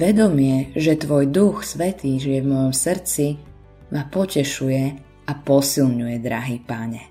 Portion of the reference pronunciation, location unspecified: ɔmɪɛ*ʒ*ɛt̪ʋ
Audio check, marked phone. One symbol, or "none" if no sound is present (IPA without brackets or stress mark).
ʒ